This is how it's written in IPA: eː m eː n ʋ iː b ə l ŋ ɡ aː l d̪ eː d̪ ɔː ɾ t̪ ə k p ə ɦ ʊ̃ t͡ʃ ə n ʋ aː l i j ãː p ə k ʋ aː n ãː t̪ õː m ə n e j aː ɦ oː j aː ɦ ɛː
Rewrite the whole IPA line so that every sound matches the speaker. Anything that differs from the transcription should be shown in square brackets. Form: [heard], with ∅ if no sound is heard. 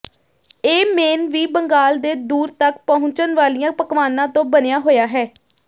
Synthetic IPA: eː m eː n ʋ iː b ə [∅] ŋ ɡ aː l d̪ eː d̪ [uː] ɾ t̪ ə k p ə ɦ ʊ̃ t͡ʃ ə n ʋ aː l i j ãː p ə k ʋ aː n ãː t̪ õː [b] ə n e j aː ɦ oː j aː ɦ ɛː